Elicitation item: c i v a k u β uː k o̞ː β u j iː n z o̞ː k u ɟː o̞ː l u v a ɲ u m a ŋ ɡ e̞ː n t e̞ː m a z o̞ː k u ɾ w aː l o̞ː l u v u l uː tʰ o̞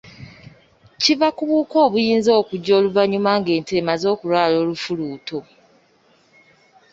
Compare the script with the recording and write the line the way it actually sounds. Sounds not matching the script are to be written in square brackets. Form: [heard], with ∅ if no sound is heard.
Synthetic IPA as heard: c i v a k u β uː k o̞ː β u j iː n z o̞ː k u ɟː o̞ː l u v a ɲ u m a ŋ ɡ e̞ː n t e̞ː m a z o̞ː k u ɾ w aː l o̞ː l u [f] u l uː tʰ o̞